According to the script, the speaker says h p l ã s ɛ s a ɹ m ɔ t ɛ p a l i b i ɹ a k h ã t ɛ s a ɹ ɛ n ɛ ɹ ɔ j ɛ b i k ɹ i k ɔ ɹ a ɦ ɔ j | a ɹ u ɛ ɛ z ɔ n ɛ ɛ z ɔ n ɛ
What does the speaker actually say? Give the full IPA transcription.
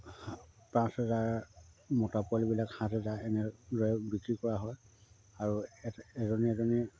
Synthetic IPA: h p ɹ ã s ɛ z a ɹ m ɔ t a p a l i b i l a k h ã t ɛ z a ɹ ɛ n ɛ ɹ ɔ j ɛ b i k ɹ i k ɔ ɹ a ɦ ɔ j | a ɹ u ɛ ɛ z ɔ n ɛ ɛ z ɔ n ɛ